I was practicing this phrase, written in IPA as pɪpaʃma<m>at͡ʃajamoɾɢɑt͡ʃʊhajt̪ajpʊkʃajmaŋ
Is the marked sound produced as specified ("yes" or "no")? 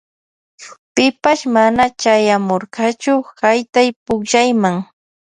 no